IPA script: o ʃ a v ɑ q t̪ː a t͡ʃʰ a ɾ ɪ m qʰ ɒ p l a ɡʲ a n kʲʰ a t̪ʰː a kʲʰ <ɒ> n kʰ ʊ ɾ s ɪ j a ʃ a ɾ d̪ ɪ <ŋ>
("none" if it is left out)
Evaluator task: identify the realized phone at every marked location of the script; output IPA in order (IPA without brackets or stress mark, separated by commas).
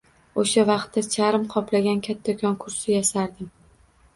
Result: ɒ, m